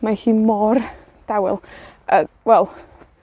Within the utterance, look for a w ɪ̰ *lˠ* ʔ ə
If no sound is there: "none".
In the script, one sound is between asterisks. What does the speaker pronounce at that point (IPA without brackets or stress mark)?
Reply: lˠ